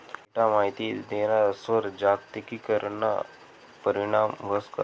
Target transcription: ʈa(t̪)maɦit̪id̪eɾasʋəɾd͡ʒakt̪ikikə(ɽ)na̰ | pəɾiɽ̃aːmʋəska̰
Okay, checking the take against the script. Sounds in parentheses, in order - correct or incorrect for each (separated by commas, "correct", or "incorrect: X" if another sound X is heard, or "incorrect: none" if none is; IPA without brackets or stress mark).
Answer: incorrect: none, incorrect: ɾ